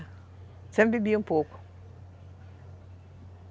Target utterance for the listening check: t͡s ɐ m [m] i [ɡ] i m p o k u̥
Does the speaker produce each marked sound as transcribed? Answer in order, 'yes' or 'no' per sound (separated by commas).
no, no